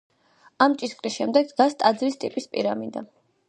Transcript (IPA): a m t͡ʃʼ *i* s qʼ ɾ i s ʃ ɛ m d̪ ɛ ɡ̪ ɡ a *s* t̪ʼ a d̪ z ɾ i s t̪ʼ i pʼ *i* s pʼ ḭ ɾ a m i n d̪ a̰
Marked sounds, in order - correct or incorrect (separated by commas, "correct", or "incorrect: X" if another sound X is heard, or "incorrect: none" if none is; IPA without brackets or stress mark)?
correct, correct, correct